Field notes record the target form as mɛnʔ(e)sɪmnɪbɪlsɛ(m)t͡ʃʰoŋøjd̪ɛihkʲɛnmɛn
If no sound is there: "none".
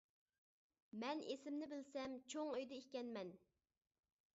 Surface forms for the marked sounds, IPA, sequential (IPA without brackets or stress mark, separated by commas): e, m